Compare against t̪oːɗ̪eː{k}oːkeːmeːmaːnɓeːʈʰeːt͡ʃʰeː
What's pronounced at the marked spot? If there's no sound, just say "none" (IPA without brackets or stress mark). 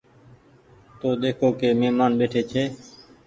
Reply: kʰ